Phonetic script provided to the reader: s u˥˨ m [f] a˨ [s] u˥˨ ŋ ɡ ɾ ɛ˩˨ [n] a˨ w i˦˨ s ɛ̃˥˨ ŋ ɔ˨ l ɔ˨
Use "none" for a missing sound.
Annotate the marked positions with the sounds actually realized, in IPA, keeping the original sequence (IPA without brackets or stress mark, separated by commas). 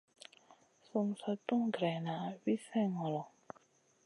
s, t, n